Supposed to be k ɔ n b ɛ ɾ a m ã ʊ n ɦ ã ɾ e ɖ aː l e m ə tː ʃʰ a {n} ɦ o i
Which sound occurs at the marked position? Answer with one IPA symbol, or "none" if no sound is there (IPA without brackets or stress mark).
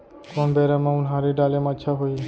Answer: none